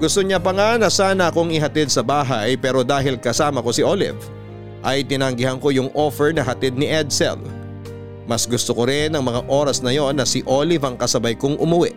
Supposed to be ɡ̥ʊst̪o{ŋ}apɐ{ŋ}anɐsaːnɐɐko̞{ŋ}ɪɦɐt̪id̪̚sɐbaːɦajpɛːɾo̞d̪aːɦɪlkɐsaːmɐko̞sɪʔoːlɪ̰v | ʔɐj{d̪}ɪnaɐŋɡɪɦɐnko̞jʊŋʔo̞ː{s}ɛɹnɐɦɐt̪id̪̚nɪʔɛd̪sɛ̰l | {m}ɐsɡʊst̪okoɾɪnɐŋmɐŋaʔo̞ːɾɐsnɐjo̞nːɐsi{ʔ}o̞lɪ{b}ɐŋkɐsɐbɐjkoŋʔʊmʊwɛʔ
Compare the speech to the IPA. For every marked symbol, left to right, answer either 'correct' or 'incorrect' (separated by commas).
incorrect, correct, correct, incorrect, incorrect, correct, correct, incorrect